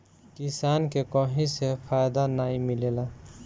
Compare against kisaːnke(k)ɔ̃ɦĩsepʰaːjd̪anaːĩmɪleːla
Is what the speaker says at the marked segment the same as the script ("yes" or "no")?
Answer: yes